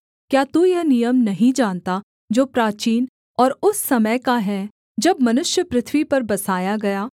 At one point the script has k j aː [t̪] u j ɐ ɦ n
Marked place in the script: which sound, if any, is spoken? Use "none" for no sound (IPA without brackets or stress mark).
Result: t̪